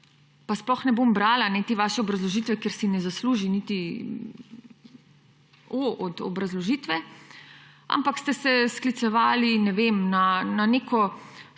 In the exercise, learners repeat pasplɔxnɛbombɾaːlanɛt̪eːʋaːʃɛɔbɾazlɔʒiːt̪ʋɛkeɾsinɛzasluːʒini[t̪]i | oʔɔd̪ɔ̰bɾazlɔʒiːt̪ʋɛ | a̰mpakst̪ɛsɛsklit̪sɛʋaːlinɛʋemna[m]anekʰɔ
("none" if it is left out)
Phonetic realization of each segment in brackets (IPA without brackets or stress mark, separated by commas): t̪, n